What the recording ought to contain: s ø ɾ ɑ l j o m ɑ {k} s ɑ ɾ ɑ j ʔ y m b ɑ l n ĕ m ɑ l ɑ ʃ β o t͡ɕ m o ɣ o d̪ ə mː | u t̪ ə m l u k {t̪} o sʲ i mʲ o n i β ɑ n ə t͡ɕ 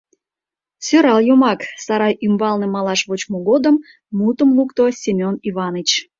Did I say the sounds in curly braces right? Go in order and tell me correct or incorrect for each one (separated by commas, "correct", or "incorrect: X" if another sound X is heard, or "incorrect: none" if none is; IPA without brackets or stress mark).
correct, correct